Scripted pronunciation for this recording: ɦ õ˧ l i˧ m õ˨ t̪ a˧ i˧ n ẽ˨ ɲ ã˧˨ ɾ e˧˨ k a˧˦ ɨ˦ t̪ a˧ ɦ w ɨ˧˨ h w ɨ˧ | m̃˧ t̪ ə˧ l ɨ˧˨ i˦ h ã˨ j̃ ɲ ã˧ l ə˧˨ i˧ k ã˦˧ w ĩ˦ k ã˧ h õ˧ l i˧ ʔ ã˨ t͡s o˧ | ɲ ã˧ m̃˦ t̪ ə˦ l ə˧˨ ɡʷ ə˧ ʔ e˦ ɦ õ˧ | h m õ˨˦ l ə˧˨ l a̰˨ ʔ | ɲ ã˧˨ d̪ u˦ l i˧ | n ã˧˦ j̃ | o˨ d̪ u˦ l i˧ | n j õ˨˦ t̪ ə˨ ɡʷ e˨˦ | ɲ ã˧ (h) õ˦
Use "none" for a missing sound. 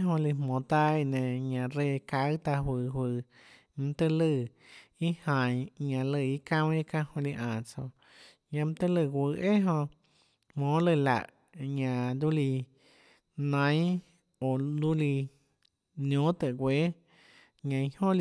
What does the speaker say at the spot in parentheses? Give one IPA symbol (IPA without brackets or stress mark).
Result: h